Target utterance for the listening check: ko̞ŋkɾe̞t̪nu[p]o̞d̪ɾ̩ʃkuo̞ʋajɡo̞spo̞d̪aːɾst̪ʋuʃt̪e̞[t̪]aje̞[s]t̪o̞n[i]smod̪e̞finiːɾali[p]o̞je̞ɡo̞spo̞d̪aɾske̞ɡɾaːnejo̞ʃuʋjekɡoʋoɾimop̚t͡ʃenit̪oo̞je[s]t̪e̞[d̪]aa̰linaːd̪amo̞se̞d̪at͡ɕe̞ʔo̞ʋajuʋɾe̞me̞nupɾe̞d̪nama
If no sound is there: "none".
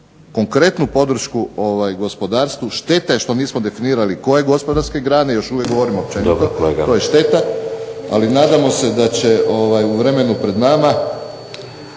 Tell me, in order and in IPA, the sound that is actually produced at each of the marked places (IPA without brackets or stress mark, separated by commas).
p, t̪, ʃ, iː, k, ʃ, t̪